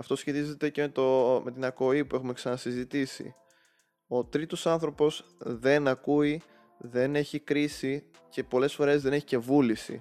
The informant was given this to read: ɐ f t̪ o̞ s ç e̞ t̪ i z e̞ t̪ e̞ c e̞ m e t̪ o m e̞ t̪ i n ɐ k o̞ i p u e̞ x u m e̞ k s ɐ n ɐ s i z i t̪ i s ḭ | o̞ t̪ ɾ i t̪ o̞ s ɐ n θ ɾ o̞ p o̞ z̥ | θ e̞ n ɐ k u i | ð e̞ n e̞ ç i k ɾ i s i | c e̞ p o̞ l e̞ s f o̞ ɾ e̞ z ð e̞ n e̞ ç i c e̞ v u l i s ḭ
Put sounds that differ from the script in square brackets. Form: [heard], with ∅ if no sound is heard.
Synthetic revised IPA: ɐ f t̪ o̞ s ç e̞ t̪ i z e̞ t̪ e̞ c e̞ m e t̪ o m e̞ t̪ i n ɐ k o̞ i p u e̞ x u m e̞ k s ɐ n ɐ s i z i t̪ i s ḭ | o̞ t̪ ɾ i t̪ o̞ s ɐ n θ ɾ o̞ p o̞ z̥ | [ð] e̞ n ɐ k u i | ð e̞ n e̞ ç i k ɾ i s i | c e̞ p o̞ l e̞ s f o̞ ɾ e̞ z ð e̞ n e̞ ç i c e̞ v u l i s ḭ